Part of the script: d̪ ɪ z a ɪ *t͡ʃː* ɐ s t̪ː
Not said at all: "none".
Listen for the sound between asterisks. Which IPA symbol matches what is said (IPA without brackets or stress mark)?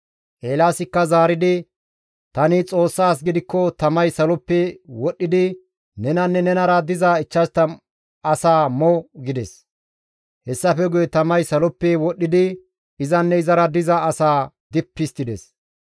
t͡ʃː